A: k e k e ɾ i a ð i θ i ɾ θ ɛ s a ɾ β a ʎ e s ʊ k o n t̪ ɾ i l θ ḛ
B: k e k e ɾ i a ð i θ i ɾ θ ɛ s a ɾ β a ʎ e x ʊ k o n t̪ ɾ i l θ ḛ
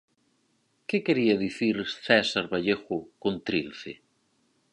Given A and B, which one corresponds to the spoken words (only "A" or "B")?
B